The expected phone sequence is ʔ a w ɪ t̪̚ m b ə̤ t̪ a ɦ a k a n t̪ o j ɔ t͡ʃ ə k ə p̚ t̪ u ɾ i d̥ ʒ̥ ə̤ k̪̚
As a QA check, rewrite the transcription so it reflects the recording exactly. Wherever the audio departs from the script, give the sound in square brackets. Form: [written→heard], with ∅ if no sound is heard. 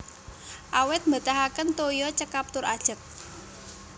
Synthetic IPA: ʔ a w ɪ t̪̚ m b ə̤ t̪ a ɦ a k [a→ə] n t̪ o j ɔ t͡ʃ ə k [ə→a] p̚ t̪ [u→ʊ] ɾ [i→a] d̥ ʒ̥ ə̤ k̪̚